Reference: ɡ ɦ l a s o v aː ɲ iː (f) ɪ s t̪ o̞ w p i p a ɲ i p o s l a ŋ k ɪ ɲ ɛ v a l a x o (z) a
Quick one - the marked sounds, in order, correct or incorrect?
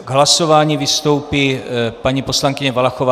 incorrect: v, incorrect: v

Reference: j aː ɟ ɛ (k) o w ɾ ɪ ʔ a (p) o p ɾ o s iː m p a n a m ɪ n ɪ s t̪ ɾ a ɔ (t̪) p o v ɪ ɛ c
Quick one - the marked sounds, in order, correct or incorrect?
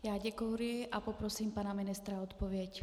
correct, correct, correct

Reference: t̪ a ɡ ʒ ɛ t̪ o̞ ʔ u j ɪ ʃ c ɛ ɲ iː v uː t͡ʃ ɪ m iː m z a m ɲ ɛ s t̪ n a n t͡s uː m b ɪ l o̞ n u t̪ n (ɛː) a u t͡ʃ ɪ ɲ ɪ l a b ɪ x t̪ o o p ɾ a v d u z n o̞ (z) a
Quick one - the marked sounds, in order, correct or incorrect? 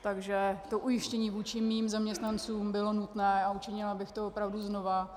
correct, incorrect: v

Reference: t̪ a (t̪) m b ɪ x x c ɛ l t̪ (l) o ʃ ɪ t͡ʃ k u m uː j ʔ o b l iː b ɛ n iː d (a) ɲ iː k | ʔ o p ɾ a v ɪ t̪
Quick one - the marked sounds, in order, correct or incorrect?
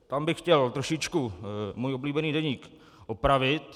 incorrect: none, incorrect: ɾ, incorrect: ɛ

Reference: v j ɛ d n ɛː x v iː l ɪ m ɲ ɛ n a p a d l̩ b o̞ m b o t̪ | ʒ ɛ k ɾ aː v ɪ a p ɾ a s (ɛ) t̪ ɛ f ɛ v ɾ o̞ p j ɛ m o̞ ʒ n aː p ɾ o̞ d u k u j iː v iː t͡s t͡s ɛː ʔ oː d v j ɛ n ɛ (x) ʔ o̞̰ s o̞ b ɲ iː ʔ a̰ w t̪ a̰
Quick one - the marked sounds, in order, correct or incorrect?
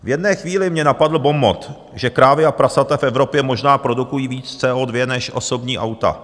incorrect: a, incorrect: ʃ

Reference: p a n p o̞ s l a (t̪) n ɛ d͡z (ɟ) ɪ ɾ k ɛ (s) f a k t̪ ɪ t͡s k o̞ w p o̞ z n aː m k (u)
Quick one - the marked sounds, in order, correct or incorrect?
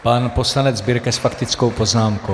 incorrect: none, incorrect: b, correct, incorrect: o

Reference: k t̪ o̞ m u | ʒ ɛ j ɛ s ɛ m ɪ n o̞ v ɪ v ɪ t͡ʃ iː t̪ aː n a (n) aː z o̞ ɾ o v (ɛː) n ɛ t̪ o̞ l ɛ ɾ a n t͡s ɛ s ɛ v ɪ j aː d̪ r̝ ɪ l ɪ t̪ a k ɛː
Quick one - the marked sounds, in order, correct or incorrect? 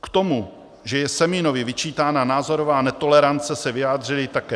correct, incorrect: aː

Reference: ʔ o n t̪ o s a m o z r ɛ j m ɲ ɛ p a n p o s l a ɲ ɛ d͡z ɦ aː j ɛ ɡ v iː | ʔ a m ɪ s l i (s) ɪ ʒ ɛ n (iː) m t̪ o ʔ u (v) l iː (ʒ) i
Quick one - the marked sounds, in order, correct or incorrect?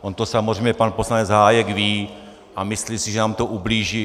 correct, incorrect: aː, incorrect: b, correct

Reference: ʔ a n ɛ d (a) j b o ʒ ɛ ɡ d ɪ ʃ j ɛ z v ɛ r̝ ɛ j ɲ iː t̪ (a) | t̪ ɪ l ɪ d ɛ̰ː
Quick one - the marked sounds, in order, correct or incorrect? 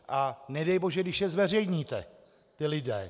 incorrect: ɛ, incorrect: ɛ

